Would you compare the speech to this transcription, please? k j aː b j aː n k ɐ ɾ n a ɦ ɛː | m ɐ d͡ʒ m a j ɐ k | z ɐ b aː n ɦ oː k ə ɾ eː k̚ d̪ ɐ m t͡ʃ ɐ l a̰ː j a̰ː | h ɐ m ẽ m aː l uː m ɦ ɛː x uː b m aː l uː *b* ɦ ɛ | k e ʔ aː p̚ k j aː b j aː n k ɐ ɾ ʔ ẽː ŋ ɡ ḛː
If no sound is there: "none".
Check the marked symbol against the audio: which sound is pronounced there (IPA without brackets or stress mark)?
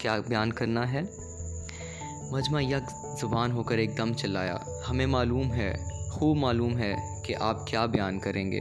m